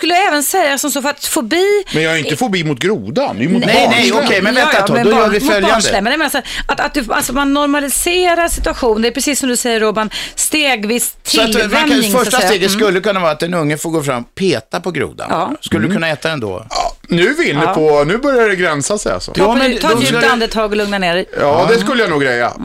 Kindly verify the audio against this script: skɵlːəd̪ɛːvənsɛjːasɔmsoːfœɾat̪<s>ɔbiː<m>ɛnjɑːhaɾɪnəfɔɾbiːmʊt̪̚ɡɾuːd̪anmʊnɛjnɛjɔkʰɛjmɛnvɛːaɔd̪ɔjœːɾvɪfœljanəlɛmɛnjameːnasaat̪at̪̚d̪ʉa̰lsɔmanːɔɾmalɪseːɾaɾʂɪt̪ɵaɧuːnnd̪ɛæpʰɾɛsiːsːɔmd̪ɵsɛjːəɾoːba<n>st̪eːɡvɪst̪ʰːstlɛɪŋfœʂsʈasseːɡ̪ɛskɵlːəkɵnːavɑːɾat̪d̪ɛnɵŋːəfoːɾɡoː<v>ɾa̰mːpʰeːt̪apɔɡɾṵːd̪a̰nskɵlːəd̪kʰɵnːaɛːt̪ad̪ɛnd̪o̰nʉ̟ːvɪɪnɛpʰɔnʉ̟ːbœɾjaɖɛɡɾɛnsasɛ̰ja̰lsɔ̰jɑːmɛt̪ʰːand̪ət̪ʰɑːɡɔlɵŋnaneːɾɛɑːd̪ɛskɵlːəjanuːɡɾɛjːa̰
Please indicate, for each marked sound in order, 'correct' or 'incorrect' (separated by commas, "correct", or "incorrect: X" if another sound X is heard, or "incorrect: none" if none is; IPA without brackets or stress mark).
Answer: incorrect: f, correct, correct, incorrect: f